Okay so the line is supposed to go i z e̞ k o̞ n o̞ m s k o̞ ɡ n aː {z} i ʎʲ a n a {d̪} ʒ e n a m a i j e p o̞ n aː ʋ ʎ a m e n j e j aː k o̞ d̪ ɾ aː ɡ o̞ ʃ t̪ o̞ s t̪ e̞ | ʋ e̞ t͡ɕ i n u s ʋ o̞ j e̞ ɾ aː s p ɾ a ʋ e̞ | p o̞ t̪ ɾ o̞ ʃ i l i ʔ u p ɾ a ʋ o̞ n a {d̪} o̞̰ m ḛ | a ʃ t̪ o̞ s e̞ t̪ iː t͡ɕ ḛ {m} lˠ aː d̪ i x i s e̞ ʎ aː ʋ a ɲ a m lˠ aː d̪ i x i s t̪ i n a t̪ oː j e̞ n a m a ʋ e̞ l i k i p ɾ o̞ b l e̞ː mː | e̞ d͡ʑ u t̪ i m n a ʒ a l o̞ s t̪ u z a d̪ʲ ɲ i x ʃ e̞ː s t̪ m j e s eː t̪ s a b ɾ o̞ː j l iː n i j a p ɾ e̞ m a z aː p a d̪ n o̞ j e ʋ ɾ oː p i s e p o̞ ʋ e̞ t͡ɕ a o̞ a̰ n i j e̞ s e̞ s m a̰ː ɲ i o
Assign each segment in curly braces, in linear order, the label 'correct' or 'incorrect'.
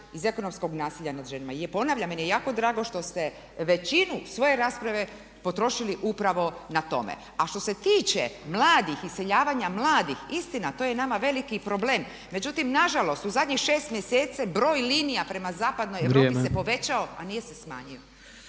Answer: incorrect: s, correct, incorrect: t̪, correct

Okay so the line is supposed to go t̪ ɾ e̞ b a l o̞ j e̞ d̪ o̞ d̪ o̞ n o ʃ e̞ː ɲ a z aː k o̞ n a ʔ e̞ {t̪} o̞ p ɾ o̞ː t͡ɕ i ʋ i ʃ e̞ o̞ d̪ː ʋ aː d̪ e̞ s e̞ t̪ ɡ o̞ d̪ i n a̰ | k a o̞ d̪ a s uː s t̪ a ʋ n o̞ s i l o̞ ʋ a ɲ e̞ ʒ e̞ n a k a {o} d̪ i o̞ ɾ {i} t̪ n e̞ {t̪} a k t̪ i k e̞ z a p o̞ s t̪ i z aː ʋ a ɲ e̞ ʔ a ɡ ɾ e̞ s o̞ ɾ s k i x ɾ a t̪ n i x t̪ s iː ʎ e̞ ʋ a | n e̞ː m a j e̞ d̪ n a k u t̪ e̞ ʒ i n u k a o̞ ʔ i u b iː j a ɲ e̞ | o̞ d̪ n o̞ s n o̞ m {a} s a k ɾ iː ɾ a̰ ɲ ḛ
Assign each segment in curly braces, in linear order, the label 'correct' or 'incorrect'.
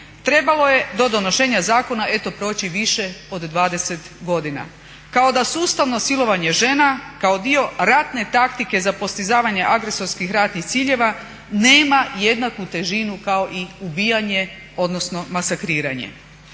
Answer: correct, correct, incorrect: a, correct, correct

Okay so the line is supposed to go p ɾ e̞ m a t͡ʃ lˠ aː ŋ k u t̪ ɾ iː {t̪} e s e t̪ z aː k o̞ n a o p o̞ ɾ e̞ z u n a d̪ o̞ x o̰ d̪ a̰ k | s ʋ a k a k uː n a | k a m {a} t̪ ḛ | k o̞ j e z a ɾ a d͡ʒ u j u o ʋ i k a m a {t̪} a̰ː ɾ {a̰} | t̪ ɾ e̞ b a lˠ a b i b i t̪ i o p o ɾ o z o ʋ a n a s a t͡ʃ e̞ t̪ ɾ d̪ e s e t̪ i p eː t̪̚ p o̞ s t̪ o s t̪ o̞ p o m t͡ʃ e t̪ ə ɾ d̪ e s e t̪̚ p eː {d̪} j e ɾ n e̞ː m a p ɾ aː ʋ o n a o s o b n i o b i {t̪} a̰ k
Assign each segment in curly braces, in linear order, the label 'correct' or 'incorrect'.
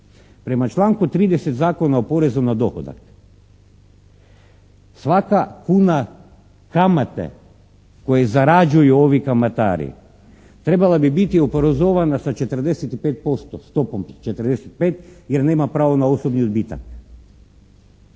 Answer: incorrect: d̪, correct, correct, incorrect: ḭ, incorrect: t̪, correct

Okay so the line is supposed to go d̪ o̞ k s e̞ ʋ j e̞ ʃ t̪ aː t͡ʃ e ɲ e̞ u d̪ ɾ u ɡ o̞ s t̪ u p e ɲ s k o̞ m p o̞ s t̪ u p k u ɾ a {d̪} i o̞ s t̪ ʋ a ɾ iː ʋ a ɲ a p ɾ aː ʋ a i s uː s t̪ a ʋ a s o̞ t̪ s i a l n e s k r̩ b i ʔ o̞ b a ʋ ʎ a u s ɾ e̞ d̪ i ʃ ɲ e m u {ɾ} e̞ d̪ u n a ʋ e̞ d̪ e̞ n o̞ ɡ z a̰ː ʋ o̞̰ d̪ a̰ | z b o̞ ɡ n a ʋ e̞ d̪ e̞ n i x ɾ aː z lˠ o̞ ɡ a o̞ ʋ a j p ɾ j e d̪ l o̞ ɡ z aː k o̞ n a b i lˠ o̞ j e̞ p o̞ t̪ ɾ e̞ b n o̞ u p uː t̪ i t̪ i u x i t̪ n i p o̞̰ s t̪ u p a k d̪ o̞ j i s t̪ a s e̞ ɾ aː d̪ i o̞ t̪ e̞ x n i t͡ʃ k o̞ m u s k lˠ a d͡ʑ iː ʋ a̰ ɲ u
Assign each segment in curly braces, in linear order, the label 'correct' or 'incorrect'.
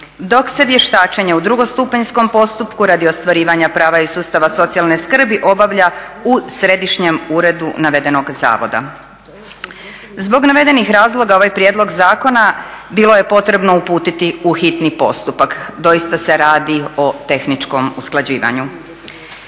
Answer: correct, correct

